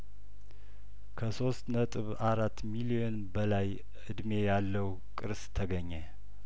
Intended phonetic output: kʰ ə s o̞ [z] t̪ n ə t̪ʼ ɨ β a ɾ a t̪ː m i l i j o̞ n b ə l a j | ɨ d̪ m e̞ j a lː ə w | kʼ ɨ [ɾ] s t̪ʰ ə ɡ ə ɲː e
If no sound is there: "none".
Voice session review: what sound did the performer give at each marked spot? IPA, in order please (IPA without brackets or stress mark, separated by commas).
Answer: s, ɾ